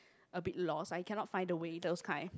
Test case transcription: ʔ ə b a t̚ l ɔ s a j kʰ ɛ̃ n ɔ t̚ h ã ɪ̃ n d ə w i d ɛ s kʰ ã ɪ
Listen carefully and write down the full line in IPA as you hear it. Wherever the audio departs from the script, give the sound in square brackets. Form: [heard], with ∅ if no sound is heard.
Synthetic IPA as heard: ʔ ə b [i] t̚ l ɔ s a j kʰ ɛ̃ n ɔ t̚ [f] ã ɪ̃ n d ə w [e] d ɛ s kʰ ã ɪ